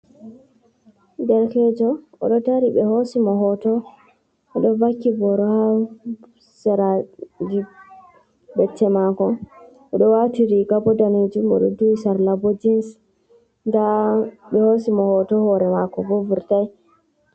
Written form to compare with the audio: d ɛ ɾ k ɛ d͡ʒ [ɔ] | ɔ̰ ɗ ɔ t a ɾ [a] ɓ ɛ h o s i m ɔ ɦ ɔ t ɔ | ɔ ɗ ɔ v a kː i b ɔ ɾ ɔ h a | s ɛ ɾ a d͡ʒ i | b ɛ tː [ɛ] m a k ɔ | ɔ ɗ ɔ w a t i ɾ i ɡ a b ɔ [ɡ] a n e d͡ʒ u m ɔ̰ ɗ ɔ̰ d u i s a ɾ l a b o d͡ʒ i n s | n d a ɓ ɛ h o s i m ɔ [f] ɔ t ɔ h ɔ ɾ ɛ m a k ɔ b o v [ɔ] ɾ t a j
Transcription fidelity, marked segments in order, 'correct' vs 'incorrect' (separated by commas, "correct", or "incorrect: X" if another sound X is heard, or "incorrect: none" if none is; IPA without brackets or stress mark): correct, incorrect: i, correct, incorrect: d, incorrect: h, incorrect: u